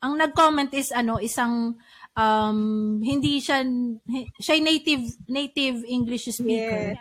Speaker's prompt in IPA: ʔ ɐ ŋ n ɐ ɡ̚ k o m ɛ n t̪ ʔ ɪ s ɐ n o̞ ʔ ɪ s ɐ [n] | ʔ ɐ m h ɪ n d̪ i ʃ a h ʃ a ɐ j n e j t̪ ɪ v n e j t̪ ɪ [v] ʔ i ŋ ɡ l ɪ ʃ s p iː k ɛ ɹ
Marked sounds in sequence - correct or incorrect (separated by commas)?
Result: incorrect, correct